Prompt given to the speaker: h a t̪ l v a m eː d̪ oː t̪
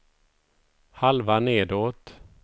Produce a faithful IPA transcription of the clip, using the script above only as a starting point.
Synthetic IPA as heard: h a l v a n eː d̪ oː t̪